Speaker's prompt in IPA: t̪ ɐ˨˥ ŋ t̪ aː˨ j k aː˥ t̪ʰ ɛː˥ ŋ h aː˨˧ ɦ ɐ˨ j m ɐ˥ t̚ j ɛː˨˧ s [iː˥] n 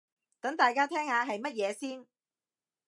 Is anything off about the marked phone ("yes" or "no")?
no